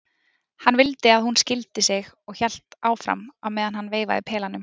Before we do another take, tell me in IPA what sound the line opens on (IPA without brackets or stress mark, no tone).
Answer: h